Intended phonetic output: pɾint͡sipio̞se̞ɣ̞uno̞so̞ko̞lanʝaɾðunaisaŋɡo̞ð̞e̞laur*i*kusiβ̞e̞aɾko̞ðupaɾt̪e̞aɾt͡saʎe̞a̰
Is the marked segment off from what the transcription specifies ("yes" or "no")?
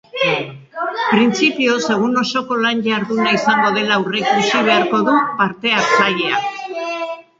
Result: yes